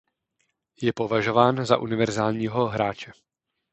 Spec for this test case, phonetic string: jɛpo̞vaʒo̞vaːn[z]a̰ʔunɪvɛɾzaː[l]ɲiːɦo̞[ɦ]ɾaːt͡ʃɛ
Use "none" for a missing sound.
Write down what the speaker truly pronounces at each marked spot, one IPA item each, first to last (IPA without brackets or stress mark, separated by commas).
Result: z, l, ɦ